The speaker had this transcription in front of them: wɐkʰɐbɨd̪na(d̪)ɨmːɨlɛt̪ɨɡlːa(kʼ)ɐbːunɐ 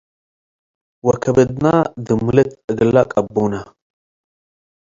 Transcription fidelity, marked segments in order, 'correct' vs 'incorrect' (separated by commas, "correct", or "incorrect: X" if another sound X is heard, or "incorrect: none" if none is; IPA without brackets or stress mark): correct, correct